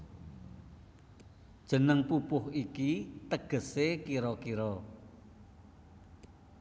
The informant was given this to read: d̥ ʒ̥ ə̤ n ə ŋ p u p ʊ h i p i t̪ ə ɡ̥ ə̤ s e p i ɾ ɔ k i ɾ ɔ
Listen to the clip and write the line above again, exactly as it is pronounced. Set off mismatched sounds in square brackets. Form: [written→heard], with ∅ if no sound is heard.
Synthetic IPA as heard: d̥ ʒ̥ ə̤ n ə ŋ p u p ʊ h i [p→k] i t̪ ə ɡ̥ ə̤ s e [p→k] i ɾ ɔ k i ɾ ɔ